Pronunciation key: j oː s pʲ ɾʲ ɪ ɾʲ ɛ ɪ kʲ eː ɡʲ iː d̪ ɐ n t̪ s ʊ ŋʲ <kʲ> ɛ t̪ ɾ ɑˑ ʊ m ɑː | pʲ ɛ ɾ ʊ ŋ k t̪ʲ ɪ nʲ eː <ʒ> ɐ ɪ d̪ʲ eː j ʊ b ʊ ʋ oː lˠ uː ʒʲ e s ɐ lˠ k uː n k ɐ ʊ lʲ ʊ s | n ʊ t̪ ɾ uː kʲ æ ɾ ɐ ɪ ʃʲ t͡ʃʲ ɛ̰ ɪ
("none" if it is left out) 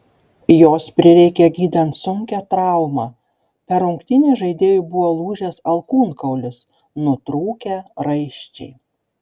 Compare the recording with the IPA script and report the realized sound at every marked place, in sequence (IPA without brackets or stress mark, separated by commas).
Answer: kʲ, ʒ